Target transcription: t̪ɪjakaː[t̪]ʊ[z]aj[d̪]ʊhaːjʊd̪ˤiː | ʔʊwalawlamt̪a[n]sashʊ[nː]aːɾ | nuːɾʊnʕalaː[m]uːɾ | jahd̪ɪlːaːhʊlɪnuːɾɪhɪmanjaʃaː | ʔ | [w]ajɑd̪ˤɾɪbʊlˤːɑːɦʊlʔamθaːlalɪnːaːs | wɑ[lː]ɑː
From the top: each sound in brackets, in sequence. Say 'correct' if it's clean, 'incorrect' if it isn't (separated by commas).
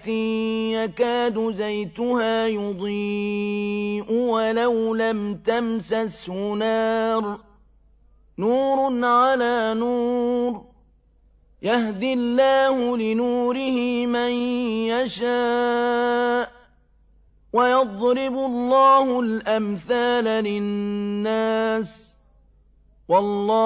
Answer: incorrect, correct, incorrect, incorrect, incorrect, incorrect, correct, correct